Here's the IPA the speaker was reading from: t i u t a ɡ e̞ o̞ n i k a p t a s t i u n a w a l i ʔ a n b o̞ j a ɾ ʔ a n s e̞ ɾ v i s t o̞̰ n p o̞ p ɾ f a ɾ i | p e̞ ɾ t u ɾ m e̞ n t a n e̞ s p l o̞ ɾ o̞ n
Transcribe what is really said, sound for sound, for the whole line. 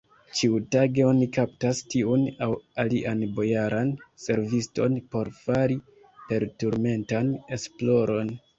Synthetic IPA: t͡ʃ i u t a ɡ e̞ o̞ n i k a p t a s t i u n a w a l i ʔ a n b o̞ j a ɾ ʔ a n s e̞ ɾ v i s t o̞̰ n p o̞ ɾ f a ɾ i | p e̞ ɾ t u ɾ m e̞ n t a n e̞ s p l o̞ ɾ o̞ n